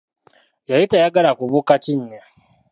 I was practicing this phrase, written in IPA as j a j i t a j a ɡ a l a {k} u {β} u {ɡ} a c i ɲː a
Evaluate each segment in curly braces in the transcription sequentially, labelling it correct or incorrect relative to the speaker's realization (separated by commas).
correct, correct, incorrect